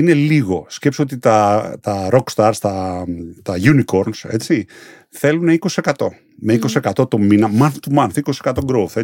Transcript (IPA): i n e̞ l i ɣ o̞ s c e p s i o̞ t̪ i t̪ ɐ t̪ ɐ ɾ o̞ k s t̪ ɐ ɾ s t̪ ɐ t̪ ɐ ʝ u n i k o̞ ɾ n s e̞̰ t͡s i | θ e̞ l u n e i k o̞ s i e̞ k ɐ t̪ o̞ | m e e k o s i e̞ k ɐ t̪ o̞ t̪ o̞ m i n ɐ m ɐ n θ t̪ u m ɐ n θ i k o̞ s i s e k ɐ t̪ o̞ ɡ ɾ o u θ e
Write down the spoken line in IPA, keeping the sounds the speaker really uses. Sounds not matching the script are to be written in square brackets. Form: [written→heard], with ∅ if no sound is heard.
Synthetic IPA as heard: i n e̞ l i ɣ o̞ s c e p s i o̞ t̪ i t̪ ɐ t̪ ɐ ɾ o̞ k s t̪ ɐ ɾ s t̪ ɐ t̪ ɐ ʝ u n i k o̞ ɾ n s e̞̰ t͡s i | θ e̞ l u n e i k o̞ s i e̞ k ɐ t̪ o̞ | m e [e→i] k o s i e̞ k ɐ t̪ o̞ t̪ o̞ m i n ɐ m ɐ n θ t̪ u m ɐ n θ i k o̞ s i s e k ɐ t̪ o̞ ɡ ɾ o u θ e